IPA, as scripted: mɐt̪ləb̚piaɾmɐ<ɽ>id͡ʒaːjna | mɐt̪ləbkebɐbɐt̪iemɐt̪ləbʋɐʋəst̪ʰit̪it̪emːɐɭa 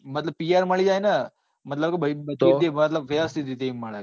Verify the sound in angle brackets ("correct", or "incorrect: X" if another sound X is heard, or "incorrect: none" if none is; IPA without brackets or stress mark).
incorrect: ɭ